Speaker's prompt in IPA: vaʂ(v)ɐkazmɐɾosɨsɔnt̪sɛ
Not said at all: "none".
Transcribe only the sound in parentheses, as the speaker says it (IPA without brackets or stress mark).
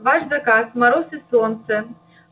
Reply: z